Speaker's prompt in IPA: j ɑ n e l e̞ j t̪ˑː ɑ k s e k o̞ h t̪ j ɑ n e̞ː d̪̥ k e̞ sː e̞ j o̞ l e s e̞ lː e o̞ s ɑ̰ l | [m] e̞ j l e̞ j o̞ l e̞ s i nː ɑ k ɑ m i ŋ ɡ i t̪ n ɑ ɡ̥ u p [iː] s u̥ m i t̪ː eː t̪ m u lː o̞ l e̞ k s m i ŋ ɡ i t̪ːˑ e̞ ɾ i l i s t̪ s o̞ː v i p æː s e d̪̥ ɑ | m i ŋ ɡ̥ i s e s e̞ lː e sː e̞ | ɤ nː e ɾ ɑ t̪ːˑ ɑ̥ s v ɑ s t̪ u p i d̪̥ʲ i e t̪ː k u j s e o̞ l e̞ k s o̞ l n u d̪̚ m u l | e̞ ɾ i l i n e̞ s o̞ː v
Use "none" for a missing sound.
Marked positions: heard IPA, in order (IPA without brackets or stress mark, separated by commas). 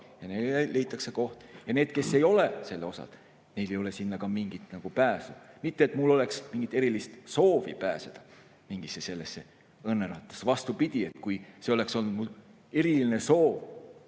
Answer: n, æː